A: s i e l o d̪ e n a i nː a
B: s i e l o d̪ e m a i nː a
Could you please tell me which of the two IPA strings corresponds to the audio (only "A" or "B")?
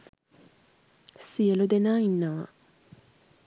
A